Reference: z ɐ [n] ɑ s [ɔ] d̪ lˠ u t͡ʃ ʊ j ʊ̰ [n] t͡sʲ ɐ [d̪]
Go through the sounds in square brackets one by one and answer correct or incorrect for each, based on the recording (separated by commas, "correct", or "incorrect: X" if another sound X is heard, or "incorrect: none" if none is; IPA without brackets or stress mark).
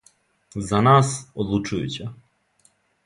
correct, correct, incorrect: none, incorrect: none